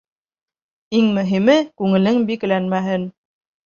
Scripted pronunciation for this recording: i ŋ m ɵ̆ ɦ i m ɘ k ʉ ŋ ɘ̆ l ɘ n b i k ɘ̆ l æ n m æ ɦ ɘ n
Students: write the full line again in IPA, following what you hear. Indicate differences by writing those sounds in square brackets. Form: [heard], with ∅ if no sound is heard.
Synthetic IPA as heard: i ŋ m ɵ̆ ɦ i m ɘ k ʉ ŋ ɘ̆ l ɘ [ŋ] b i k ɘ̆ l æ n m æ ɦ ɘ n